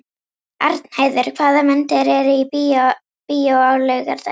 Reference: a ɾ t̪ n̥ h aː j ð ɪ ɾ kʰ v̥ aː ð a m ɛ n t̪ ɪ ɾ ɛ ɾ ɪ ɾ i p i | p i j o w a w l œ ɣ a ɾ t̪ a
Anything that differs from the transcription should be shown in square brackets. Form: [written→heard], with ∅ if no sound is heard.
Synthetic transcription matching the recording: a ɾ t̪ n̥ h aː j ð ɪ ɾ kʰ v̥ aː ð a m ɛ n t̪ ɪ ɾ ɛ ɾ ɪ [ɾ→∅] i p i | p i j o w a w l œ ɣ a ɾ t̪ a